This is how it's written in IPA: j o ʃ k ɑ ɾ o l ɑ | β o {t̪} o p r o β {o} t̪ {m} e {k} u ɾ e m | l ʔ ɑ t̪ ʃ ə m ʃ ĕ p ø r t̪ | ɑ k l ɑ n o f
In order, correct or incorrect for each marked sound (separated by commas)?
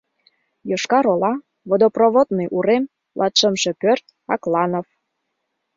incorrect, correct, incorrect, incorrect